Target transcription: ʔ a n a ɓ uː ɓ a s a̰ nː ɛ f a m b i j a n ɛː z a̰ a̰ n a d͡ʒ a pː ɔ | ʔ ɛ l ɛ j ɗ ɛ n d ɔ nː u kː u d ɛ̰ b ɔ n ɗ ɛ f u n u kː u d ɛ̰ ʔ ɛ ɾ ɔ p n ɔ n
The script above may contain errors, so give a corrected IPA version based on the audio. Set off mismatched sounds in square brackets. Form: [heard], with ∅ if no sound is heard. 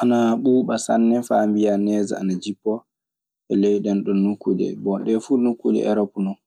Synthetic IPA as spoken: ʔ a n a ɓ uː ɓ a s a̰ nː ɛ f a m b i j a n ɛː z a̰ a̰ n a d͡ʒ [i] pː ɔ | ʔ ɛ l ɛ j ɗ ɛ n [ɗ] ɔ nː u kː u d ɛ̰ b ɔ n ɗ ɛ f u n u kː u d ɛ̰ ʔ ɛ ɾ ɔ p n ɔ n